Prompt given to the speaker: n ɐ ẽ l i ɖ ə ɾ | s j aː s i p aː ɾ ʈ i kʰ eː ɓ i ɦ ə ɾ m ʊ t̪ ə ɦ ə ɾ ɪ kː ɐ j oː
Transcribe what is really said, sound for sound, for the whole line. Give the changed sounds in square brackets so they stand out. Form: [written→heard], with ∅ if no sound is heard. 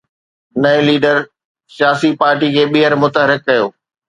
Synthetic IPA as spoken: n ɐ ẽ l [i→iː] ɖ ə ɾ | s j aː s i p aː ɾ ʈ i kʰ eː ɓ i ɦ ə ɾ m ʊ t̪ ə ɦ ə ɾ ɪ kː ɐ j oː